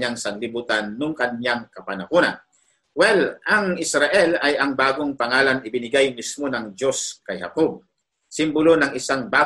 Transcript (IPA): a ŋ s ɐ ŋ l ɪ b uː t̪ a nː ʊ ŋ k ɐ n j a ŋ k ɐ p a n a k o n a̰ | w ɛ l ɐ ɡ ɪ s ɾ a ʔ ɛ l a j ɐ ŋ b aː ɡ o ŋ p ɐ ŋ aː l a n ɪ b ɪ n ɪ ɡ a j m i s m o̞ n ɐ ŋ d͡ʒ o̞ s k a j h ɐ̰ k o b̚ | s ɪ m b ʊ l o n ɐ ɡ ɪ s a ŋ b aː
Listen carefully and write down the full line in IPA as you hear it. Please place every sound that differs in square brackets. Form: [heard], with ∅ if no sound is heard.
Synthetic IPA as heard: a ŋ s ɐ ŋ l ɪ b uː t̪ a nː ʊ ŋ k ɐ n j a ŋ k ɐ p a n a k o n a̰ | w ɛ l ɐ [ŋ] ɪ s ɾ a ʔ ɛ l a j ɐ ŋ b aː ɡ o ŋ p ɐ ŋ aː l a n ɪ b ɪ n ɪ ɡ a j m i s m o̞ n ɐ ŋ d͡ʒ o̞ s k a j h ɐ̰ k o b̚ | s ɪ m b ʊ l o n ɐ [ŋ] ɪ s a ŋ b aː